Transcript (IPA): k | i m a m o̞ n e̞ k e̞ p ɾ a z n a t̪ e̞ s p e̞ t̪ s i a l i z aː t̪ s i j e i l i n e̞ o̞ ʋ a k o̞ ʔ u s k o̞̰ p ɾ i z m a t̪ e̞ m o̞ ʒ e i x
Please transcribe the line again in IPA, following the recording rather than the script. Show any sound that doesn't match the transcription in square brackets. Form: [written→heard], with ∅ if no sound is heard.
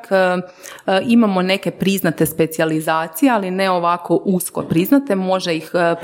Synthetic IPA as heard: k | i m a m o̞ n e̞ k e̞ p ɾ [a→i] z n a t̪ e̞ s p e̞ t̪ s i a l i z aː t̪ s i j e [i→a] l i n e̞ o̞ ʋ a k o̞ ʔ u s k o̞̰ p ɾ i z [m→n] a t̪ e̞ m o̞ ʒ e i x